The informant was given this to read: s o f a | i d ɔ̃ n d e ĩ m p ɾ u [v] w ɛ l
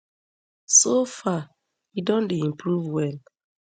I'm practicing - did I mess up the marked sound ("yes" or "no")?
no